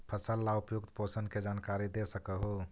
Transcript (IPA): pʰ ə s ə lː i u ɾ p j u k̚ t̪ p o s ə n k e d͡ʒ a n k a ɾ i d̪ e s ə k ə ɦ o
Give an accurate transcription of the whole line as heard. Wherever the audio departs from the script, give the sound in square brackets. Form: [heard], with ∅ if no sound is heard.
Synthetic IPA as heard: pʰ ə s ə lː [a] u [∅] p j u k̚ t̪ p o s ə n k e d͡ʒ a n k a ɾ i d̪ e s ə k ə ɦ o

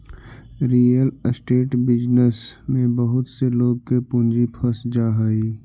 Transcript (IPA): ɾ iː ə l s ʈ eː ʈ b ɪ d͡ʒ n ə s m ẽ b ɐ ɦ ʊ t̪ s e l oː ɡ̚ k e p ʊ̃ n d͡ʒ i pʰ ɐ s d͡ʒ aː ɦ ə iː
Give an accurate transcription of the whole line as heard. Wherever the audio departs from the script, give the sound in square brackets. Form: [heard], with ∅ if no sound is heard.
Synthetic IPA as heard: ɾ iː ə l s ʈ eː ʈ b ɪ d͡ʒ n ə s m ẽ b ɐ ɦ ʊ t̪ s e l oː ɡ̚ k e p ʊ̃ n d͡ʒ i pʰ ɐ s d͡ʒ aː ɦ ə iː

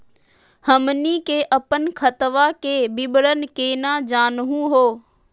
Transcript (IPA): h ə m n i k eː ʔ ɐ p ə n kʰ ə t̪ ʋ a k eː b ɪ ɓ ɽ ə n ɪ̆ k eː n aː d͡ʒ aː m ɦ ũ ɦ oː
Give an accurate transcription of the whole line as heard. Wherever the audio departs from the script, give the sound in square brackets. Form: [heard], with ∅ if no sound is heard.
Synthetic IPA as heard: h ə m n i k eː ʔ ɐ p ə n kʰ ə t̪ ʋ a k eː b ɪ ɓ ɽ ə n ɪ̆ k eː n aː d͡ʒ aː [n] ɦ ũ ɦ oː

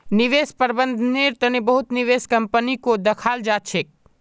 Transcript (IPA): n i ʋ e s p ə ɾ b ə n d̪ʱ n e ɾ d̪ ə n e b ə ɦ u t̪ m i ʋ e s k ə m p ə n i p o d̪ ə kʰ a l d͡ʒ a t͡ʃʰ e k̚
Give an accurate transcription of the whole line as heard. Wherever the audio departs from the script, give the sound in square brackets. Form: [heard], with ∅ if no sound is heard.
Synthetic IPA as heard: n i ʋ e s p ə ɾ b ə n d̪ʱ n e ɾ [t̪] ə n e b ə ɦ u t̪ [n] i ʋ e s k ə m p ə n i [k] o d̪ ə kʰ a l d͡ʒ a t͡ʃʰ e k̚

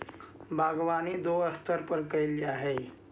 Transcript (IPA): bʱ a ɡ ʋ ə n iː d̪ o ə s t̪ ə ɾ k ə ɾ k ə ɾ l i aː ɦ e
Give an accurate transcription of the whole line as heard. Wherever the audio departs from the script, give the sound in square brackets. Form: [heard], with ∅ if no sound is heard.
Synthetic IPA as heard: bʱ a ɡ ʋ [a] n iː d̪ o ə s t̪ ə ɾ [p] ə ɾ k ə [∅] l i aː ɦ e

